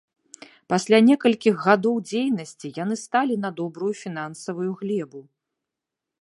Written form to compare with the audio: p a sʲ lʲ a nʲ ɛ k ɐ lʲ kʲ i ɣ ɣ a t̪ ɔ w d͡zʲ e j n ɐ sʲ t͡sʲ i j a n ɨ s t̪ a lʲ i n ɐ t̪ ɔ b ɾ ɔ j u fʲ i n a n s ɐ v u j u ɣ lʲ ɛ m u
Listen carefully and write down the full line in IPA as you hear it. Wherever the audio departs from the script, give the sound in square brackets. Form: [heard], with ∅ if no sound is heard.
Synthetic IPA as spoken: p a sʲ lʲ a nʲ ɛ k ɐ lʲ kʲ i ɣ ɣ a [d̪] ɔ w d͡zʲ e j n ɐ sʲ t͡sʲ i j a n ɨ s t̪ a lʲ i n ɐ [d̪] ɔ b ɾ [u] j u fʲ i n a n s ɐ v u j u ɣ lʲ ɛ [b] u